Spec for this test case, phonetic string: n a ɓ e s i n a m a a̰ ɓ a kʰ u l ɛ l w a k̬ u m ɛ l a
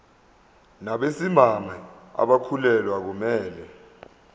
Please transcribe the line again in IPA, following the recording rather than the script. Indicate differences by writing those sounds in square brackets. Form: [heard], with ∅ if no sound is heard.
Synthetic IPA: n a ɓ e s i [m] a m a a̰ ɓ a kʰ u l ɛ l w a k̬ u m [ɛː] l [ɛ]